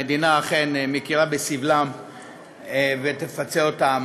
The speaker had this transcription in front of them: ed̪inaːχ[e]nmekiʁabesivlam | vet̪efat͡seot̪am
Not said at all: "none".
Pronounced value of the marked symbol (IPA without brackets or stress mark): e